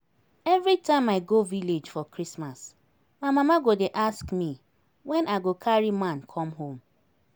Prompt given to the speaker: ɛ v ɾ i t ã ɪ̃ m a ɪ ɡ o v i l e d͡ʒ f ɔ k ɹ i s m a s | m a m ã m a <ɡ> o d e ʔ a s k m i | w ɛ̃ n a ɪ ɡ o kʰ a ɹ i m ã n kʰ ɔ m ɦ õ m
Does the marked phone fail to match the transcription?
no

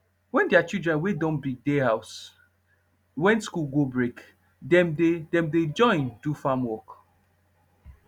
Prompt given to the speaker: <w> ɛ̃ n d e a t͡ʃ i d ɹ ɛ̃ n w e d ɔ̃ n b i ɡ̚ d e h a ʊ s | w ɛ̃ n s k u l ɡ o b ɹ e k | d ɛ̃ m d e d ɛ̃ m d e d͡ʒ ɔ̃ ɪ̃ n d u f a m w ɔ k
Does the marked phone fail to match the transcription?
no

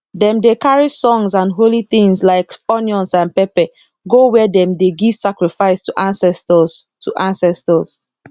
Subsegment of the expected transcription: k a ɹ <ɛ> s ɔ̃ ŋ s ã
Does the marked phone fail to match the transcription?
yes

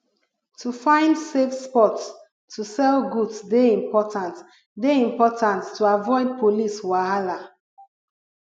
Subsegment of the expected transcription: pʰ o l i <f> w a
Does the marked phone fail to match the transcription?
yes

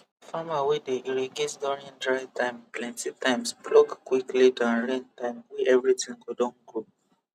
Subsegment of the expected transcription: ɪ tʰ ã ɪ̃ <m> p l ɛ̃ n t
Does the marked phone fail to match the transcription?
no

